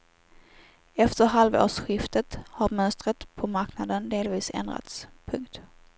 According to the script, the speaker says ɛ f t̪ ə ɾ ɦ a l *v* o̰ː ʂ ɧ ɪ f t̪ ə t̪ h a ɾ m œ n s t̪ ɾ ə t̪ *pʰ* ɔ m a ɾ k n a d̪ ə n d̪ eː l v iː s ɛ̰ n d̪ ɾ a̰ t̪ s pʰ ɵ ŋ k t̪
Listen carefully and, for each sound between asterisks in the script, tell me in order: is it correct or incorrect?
correct, correct

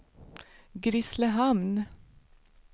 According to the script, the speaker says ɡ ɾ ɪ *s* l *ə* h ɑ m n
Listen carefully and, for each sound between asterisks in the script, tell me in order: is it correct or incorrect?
correct, correct

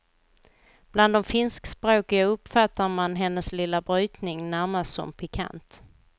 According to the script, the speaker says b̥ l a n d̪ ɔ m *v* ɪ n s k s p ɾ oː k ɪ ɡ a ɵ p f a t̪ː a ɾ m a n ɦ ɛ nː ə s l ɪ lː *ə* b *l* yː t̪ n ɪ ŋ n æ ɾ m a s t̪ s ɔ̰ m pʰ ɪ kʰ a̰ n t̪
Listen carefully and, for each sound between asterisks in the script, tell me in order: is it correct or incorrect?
incorrect: f, incorrect: a, incorrect: ɾ

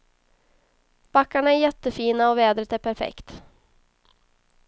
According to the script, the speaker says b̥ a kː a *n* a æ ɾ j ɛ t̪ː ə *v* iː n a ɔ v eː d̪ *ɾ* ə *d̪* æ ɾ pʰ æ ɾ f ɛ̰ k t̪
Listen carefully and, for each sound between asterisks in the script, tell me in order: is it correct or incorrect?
incorrect: ɳ, incorrect: f, correct, incorrect: t̪

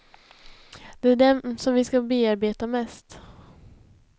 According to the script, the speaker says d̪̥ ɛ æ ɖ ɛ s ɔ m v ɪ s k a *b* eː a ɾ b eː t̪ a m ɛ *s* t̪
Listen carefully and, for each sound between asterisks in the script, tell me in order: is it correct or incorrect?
correct, correct

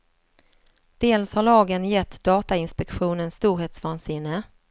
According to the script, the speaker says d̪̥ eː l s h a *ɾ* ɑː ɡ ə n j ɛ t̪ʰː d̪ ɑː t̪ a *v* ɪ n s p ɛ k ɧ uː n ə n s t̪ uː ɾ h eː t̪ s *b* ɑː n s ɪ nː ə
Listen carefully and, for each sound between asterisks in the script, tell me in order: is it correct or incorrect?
incorrect: ɭ, incorrect: none, incorrect: v

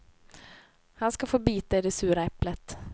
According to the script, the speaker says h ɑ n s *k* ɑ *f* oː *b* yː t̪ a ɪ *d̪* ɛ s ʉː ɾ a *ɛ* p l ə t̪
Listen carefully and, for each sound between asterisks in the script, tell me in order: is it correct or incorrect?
correct, correct, correct, correct, correct

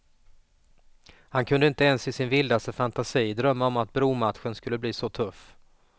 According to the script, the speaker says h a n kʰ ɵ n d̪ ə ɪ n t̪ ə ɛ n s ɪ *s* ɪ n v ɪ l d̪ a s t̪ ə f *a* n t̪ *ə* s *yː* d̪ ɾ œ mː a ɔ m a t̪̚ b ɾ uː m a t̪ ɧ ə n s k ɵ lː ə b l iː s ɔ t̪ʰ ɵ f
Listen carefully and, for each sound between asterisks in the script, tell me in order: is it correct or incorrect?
correct, correct, incorrect: a, incorrect: iː

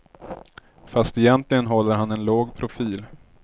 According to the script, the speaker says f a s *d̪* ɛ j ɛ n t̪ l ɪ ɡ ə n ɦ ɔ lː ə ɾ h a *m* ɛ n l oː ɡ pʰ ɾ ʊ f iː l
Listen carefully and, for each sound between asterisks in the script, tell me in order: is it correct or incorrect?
incorrect: t̪, incorrect: n

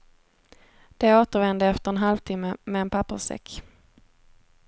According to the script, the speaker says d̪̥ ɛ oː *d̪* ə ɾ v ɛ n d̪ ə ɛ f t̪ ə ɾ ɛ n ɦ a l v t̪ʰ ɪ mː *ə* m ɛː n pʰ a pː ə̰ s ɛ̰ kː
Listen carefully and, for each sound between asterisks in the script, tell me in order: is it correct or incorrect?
incorrect: t̪, correct

